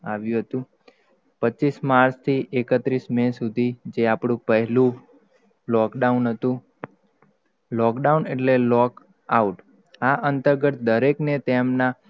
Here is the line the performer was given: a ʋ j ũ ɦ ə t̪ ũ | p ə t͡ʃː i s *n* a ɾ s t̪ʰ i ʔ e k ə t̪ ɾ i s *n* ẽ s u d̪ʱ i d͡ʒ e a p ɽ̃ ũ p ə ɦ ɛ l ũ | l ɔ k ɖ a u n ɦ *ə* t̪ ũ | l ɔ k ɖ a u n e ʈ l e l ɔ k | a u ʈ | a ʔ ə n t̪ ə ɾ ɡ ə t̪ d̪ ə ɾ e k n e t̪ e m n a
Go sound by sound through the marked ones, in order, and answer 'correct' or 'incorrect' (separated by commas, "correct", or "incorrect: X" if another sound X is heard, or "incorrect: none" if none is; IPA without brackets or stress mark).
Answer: incorrect: m, incorrect: m, correct